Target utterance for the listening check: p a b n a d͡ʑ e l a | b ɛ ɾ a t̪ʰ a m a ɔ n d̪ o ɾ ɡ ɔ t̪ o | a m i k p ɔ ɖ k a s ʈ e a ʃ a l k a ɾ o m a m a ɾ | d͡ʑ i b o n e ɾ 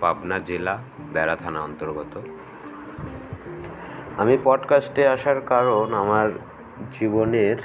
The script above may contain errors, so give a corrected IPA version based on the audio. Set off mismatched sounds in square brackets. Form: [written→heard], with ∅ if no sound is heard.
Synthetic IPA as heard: p a b n a d͡ʑ e l a | b ɛ ɾ a t̪ʰ a [m→n] a ɔ n [d̪→t̪] o ɾ ɡ ɔ t̪ o | a m i [k→∅] p ɔ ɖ k a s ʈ e a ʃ a [l→ɾ] k a ɾ o [m→n] a m a ɾ | d͡ʑ i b o n e ɾ